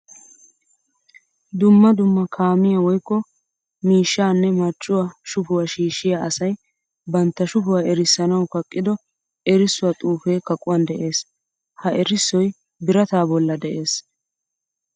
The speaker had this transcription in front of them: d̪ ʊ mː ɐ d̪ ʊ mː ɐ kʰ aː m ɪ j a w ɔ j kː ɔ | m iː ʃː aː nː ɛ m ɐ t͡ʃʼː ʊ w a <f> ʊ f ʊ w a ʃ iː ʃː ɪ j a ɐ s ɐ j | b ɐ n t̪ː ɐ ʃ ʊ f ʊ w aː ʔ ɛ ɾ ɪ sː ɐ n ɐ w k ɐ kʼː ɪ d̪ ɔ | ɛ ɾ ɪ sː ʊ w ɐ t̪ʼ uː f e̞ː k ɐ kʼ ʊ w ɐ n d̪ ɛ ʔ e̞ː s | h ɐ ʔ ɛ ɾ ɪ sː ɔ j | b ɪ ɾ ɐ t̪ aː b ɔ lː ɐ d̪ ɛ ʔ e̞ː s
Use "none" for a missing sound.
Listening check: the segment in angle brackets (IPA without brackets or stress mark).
ʃ